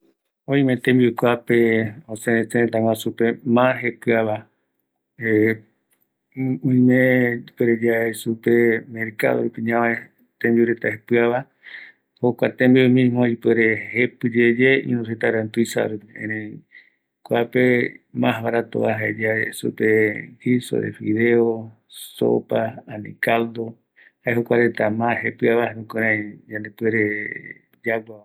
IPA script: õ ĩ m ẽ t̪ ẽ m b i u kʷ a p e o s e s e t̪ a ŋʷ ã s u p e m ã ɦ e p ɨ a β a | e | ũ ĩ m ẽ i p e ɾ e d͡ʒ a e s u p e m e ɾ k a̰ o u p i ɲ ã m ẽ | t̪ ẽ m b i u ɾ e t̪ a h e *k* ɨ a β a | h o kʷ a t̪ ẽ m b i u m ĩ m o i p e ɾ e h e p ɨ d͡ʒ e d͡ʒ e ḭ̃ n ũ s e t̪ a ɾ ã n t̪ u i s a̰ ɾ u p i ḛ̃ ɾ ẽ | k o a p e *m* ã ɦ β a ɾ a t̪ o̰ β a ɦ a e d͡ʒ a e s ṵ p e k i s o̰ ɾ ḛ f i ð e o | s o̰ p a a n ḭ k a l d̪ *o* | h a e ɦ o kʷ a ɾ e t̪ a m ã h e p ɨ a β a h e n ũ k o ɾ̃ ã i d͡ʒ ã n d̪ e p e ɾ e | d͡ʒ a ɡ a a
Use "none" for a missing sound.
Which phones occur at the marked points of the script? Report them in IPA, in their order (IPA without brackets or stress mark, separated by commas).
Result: p, m, o